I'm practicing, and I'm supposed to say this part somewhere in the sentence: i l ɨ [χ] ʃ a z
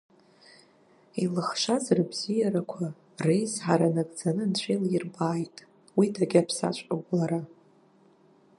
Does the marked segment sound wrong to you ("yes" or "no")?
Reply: no